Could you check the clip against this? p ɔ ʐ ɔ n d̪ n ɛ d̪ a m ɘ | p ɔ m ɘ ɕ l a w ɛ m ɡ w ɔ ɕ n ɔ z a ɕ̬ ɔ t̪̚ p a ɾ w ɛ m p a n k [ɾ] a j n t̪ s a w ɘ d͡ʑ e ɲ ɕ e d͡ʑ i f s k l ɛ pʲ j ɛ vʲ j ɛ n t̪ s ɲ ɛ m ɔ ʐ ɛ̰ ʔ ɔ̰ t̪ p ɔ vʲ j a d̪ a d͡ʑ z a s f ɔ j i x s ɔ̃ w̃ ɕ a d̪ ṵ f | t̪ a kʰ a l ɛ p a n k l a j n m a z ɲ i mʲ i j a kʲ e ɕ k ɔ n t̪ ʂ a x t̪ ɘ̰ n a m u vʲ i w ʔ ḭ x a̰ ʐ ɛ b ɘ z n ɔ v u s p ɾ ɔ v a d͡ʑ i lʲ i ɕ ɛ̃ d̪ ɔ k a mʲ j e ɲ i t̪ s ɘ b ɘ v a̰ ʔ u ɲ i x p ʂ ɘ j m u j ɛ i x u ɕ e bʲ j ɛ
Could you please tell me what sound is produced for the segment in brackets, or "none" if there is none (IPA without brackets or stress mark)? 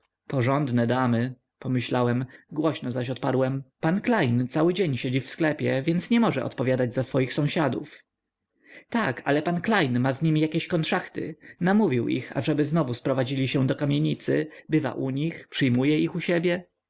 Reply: l